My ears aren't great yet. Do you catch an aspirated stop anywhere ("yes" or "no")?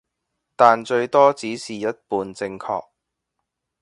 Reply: yes